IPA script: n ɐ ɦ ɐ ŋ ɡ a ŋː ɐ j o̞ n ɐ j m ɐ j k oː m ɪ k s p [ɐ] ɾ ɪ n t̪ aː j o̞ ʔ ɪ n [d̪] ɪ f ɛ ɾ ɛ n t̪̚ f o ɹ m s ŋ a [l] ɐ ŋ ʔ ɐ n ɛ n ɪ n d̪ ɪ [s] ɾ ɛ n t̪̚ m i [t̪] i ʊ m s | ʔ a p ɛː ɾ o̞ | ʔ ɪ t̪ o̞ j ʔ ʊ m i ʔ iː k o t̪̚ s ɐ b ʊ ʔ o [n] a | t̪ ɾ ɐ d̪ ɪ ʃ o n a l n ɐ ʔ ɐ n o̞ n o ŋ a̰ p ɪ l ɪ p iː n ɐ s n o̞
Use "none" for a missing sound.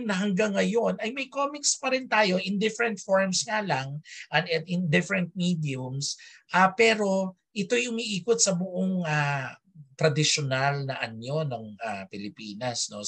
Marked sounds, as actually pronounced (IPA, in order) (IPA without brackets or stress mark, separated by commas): ɐ, d̪, l, f, d̪, ŋ